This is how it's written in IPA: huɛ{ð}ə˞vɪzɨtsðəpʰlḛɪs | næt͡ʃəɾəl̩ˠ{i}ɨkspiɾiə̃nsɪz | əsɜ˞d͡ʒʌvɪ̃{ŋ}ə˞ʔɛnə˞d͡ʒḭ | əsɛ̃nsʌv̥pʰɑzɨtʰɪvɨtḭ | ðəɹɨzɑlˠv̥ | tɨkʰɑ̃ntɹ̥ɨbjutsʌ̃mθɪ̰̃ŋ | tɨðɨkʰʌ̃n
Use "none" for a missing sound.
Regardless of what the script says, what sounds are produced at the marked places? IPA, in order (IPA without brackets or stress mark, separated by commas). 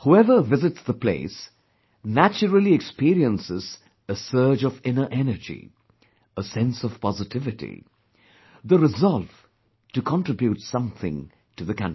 v, i, n